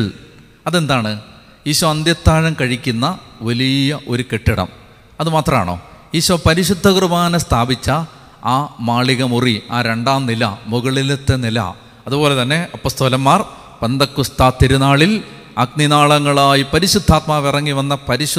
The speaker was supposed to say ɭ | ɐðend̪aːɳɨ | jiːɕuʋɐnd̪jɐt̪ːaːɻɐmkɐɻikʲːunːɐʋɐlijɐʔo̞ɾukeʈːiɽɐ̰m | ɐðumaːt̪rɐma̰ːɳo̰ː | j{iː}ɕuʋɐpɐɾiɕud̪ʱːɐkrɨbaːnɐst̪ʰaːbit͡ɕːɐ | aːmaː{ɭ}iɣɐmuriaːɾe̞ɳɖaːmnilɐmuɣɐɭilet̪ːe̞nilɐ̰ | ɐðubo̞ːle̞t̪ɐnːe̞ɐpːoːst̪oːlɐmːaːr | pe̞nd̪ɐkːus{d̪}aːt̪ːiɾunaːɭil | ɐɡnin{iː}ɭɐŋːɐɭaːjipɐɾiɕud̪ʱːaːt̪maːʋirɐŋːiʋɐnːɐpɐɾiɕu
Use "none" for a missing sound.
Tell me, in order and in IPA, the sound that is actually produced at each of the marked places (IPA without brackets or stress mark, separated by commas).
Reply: iː, ɭ, t̪, aː